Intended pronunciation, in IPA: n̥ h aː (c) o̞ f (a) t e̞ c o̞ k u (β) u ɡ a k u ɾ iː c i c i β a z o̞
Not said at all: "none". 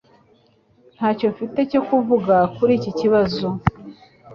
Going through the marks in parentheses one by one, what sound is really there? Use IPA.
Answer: c, i, v

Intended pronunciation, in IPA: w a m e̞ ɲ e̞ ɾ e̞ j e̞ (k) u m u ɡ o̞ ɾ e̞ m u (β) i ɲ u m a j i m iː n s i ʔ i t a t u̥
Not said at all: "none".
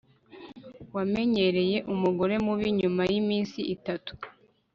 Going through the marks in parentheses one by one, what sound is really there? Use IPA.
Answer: ʔ, β

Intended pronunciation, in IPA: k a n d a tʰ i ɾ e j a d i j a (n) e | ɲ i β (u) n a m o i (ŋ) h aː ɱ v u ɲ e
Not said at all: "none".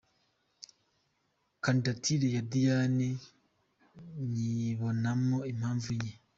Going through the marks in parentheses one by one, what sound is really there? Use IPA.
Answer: n, o, m

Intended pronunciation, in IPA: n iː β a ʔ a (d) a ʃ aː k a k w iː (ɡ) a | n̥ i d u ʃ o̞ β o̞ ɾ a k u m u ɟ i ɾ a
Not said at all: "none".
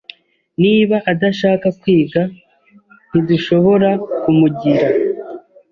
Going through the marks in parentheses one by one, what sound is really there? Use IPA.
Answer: d, ɡ

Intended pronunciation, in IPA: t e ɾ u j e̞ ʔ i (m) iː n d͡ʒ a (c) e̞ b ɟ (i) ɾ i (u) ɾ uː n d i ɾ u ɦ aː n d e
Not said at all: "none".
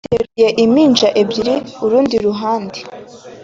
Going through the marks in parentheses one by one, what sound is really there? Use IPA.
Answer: m, ʔ, i, u

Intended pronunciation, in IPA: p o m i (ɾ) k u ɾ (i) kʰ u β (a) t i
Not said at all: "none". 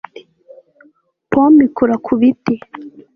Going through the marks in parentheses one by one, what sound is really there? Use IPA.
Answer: none, a, i

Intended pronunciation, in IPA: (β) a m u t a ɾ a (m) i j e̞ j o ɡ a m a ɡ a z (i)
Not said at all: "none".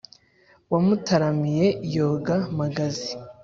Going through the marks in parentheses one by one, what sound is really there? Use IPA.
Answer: w, m, i

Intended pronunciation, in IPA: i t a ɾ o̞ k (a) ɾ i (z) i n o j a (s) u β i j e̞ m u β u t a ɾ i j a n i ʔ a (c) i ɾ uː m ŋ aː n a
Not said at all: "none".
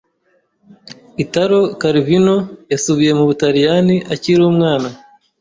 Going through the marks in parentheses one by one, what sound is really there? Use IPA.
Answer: a, v, s, c

